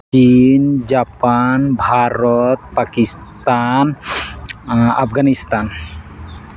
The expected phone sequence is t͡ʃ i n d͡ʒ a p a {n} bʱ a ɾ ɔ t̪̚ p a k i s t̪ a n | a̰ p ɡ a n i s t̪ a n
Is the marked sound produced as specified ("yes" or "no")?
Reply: yes